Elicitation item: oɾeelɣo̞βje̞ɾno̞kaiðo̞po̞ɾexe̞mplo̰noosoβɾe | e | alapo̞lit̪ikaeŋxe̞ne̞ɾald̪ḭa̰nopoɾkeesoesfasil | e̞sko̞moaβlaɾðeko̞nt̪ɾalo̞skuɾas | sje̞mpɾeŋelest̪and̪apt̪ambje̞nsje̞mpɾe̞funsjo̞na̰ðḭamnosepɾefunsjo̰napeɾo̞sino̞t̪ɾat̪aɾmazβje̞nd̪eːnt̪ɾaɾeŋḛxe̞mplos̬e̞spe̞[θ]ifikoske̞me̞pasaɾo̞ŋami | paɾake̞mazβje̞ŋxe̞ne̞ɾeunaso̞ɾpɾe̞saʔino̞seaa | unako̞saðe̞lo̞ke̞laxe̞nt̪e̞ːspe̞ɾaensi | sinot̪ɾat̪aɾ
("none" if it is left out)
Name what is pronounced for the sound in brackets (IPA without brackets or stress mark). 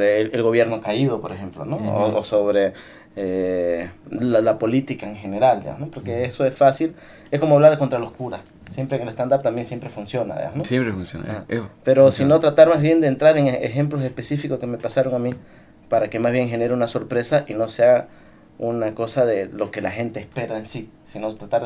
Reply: s